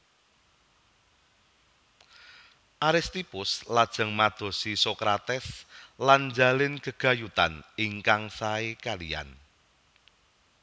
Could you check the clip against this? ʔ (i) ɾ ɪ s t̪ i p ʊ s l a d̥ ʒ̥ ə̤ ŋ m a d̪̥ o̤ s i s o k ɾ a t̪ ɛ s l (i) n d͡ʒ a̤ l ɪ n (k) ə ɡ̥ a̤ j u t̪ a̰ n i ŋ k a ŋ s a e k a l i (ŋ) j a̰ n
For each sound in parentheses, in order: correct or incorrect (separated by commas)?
incorrect, incorrect, correct, incorrect